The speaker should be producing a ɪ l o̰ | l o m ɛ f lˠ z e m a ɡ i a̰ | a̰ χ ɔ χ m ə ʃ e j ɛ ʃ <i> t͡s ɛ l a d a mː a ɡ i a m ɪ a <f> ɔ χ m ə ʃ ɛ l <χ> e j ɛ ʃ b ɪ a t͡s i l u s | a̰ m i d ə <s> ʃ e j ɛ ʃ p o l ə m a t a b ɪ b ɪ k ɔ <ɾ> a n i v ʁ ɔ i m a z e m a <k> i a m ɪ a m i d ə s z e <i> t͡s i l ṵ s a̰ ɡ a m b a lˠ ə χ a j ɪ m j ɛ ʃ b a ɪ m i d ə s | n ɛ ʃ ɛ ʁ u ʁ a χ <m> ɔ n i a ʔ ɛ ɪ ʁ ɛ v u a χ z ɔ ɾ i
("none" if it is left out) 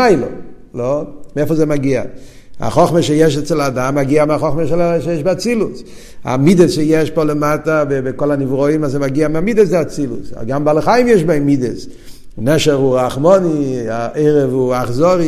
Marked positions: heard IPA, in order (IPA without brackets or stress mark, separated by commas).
ɛ, χ, ʃ, s, l, ɡ, a, m